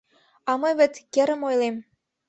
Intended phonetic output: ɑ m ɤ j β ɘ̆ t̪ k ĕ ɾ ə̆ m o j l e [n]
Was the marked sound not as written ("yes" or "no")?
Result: yes